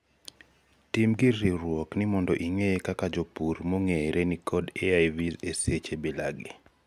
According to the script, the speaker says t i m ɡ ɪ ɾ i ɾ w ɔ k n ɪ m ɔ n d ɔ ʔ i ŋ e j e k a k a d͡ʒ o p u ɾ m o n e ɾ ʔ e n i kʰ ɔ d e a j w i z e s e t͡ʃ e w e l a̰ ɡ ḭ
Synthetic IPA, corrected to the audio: t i m ɡ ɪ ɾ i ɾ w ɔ k n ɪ m ɔ n d ɔ ʔ i ŋ e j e k a k a d͡ʒ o p u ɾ m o ŋ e ɾ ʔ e n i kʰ ɔ d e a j v i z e s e t͡ʃ e b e l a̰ ɡ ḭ